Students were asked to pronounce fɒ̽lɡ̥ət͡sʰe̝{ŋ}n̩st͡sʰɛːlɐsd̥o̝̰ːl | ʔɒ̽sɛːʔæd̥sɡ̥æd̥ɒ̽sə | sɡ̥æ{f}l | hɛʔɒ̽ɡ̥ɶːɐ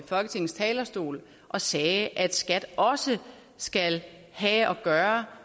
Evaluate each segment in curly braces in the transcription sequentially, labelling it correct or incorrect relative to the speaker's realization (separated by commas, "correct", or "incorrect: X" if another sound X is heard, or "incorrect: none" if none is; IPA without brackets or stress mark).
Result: correct, incorrect: none